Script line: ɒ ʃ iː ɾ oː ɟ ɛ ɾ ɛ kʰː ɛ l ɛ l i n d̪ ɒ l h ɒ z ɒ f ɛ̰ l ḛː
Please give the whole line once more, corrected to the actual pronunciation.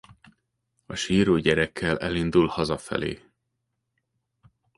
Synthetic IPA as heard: ɒ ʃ iː ɾ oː ɟ ɛ ɾ ɛ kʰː ɛ l ɛ l i n d̪ u l h ɒ z ɒ f ɛ̰ l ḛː